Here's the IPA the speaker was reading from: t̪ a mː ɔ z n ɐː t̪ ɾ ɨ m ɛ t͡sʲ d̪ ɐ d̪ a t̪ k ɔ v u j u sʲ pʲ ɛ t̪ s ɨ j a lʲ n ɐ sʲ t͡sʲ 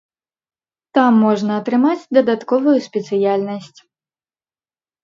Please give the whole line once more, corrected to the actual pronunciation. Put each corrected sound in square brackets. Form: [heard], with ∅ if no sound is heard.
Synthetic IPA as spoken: t̪ a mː ɔ [ʐ] n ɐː t̪ ɾ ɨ m [a] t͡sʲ d̪ ɐ d̪ a t̪ k ɔ v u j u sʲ pʲ ɛ t̪ s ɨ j a lʲ n ɐ sʲ t͡sʲ